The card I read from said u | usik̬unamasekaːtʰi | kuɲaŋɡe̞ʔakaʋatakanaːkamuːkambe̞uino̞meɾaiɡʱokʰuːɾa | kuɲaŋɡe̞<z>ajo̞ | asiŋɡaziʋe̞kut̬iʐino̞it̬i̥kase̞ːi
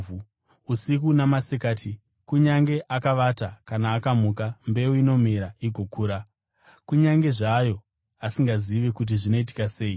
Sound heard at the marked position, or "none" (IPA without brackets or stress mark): ʐ